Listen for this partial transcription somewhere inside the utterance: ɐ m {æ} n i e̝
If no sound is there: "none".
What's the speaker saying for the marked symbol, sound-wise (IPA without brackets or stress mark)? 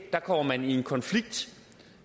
æ